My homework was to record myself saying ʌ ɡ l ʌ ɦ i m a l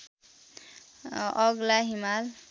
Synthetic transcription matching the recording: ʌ ɡ l a ɦ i m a l